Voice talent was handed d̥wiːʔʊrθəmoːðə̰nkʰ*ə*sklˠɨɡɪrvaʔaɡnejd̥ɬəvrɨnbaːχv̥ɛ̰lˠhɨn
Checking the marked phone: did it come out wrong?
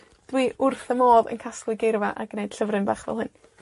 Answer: yes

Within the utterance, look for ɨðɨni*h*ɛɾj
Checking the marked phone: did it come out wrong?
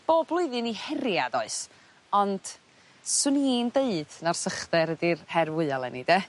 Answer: no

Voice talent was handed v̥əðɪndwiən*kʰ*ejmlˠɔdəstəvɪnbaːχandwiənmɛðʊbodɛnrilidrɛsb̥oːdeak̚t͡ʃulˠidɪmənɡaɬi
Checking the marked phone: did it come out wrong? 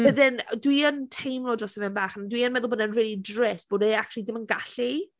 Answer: yes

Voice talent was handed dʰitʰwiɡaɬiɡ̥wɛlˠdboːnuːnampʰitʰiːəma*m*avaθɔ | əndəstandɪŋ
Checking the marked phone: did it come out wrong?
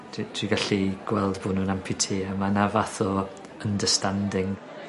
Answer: yes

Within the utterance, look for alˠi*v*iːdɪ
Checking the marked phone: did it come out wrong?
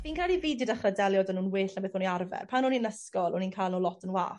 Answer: no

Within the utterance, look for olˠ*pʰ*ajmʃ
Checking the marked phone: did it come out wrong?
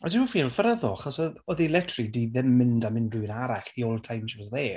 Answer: yes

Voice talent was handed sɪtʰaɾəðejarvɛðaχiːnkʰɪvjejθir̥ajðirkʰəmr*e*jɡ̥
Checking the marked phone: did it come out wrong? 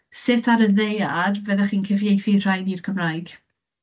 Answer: yes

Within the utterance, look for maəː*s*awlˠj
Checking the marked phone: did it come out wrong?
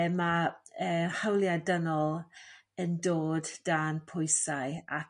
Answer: yes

